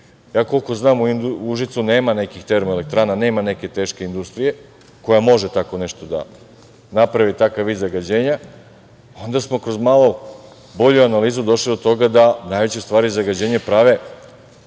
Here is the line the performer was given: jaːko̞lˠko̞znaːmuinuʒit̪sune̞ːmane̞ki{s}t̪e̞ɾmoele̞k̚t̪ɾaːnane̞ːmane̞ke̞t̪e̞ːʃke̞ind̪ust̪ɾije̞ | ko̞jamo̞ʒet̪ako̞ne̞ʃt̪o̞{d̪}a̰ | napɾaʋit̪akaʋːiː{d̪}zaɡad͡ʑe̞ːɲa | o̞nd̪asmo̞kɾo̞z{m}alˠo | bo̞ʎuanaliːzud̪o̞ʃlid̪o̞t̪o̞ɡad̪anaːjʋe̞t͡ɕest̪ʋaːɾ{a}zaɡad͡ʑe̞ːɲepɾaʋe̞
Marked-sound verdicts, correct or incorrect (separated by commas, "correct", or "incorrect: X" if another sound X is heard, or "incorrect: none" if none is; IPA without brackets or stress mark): incorrect: x, correct, correct, correct, incorrect: i